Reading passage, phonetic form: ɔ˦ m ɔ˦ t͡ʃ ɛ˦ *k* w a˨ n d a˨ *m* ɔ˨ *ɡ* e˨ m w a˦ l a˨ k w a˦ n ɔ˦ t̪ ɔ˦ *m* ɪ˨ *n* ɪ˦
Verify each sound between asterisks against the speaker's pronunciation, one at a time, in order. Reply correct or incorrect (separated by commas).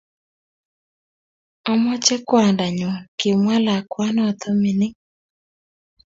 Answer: correct, incorrect, incorrect, correct, correct